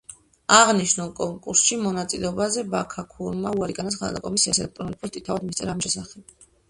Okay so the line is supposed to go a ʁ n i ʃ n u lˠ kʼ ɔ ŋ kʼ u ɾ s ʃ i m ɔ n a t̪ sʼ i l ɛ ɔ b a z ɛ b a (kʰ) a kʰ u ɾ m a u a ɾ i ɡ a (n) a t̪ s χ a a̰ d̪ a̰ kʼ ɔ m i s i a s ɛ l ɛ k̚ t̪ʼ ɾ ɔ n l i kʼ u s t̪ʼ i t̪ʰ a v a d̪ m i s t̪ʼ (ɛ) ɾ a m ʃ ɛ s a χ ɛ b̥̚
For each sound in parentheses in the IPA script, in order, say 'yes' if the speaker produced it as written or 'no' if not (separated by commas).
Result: yes, yes, yes